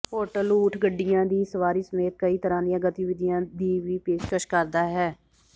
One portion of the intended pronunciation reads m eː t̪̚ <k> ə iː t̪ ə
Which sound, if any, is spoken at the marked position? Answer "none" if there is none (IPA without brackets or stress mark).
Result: k